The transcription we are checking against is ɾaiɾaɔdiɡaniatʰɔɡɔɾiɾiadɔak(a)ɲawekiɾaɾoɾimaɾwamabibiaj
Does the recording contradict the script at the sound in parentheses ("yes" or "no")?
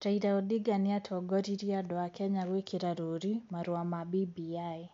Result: yes